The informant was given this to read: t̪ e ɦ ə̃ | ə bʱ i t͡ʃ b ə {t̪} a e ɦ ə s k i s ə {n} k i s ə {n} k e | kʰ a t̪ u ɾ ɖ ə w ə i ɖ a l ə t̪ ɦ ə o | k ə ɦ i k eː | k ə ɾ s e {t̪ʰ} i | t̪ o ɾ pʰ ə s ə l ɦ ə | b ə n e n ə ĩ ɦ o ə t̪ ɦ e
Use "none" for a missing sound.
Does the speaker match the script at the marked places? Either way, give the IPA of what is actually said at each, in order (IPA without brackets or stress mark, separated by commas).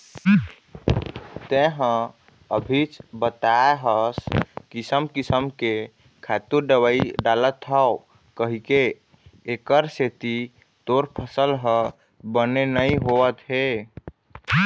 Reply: t̪, m, m, t̪